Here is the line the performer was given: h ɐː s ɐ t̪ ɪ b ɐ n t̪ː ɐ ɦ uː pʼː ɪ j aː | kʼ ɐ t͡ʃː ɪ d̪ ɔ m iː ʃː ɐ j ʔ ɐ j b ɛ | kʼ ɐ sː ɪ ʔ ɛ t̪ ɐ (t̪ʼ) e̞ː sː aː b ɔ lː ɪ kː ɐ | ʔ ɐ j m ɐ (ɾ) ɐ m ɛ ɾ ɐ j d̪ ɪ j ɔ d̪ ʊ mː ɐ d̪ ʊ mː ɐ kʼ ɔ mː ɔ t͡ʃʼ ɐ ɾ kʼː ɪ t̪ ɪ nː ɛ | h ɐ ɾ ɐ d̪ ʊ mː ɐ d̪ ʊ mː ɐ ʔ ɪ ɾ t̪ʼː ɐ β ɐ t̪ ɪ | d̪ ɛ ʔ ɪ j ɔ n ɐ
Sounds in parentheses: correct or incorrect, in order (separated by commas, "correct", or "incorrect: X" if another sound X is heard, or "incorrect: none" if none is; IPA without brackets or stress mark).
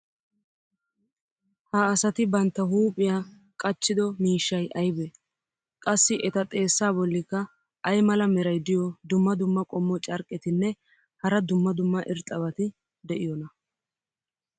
correct, incorrect: l